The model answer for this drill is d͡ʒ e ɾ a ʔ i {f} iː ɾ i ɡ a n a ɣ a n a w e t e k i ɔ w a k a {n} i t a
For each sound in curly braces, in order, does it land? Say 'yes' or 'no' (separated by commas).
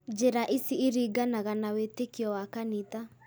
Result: no, yes